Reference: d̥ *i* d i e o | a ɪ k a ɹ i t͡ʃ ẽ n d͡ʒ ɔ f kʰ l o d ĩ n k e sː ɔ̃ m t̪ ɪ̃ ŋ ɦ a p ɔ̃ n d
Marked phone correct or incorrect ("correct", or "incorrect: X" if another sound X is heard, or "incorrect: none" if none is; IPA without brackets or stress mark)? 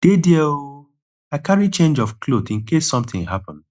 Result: incorrect: e